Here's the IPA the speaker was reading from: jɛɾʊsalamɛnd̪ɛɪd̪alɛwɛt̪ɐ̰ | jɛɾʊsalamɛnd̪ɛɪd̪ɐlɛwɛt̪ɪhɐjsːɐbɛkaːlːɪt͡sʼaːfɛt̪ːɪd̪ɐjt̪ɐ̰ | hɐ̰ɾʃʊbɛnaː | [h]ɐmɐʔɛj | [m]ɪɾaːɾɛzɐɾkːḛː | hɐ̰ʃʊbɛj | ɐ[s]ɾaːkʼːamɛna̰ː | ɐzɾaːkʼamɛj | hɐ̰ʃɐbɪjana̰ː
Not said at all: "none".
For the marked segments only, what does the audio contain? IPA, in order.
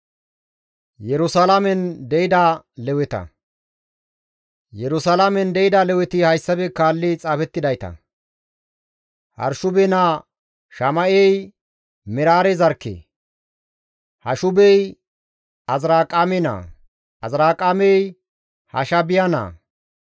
ʃ, m, z

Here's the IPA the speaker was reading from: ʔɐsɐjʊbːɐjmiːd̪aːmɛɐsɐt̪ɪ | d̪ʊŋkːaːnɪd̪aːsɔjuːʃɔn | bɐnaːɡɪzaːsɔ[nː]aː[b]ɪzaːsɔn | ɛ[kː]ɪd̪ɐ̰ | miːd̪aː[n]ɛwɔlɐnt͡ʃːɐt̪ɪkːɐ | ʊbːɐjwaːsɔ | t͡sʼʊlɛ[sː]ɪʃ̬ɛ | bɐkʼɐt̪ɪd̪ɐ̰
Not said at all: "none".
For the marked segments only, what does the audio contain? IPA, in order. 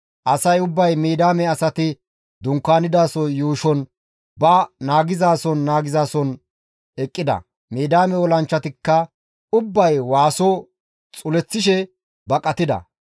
nː, ɡ, kʼː, m, t͡sː

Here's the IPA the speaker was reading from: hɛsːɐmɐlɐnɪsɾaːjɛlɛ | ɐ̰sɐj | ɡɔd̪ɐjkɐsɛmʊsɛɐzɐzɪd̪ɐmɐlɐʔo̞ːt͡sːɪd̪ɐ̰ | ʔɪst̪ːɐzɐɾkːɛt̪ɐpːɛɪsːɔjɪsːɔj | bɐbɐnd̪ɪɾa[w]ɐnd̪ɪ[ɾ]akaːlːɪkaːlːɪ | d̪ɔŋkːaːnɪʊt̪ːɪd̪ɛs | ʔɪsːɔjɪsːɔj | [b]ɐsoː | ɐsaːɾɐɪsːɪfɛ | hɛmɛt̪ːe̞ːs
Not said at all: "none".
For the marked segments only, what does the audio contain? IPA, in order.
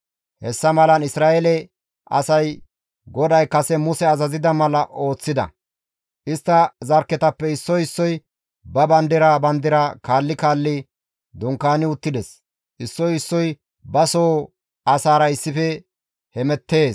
b, ɾ, b

